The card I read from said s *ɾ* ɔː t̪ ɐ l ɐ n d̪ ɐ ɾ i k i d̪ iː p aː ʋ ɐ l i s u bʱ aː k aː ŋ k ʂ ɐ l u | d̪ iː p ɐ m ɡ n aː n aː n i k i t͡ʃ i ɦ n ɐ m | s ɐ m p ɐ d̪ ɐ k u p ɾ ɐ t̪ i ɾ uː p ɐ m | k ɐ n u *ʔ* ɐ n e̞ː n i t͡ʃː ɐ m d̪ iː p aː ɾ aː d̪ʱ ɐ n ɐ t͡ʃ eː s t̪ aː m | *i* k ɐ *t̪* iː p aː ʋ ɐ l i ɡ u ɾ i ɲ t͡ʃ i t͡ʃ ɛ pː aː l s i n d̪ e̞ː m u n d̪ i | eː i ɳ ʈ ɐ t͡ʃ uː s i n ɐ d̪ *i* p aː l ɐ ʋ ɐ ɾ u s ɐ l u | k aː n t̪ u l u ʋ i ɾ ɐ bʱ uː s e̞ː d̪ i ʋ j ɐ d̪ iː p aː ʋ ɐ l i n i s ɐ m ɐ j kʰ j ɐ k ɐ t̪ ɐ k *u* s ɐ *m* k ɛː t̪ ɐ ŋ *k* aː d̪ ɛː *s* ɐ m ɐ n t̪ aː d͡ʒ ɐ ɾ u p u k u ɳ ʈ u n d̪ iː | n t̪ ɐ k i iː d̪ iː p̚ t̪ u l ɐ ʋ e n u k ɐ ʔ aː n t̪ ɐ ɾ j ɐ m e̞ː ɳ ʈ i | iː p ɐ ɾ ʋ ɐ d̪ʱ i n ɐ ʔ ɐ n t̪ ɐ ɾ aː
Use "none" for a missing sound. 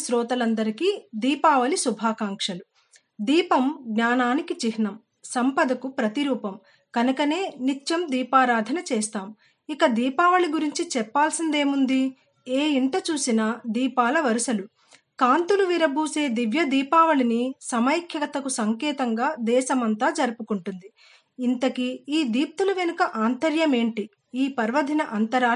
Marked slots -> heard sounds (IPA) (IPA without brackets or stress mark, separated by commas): ɾ, k, i, d̪, iː, u, ŋ, ɡ, ʃ